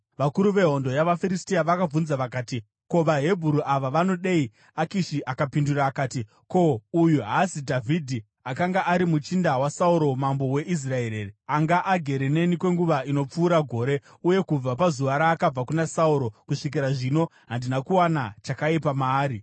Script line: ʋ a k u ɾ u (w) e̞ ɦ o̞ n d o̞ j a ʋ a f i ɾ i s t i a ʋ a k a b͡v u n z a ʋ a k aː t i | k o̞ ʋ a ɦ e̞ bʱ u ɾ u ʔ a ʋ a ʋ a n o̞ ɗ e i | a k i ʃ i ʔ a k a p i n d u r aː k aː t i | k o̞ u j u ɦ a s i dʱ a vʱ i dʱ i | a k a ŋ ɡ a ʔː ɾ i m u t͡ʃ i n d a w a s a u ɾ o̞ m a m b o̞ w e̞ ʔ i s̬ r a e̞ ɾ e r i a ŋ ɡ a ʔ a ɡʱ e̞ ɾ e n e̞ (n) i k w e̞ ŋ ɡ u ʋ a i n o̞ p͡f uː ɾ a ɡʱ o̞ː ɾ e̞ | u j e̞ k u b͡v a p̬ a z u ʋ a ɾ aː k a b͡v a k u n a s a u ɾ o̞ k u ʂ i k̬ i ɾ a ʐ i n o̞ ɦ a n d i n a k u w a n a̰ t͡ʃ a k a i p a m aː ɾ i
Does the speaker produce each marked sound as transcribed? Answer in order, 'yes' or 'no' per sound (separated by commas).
no, yes